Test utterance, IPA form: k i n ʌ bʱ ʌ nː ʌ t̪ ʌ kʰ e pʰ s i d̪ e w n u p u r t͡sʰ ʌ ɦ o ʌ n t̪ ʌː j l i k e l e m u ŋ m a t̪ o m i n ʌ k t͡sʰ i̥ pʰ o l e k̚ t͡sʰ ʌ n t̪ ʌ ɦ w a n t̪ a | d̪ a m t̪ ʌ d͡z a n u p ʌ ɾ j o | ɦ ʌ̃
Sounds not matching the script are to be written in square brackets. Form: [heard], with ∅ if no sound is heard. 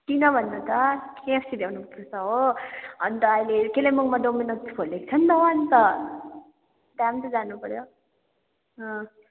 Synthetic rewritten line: k i n ʌ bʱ ʌ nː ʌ t̪ ʌ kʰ e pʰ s i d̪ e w n u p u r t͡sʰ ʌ ɦ o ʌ n t̪ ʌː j l [e] k e l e m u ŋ m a [d̪] o m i n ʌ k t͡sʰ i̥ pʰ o l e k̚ t͡sʰ ʌ n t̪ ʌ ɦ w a n t̪ [ʌ] | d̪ a m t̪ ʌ d͡z a n u p ʌ ɾ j o | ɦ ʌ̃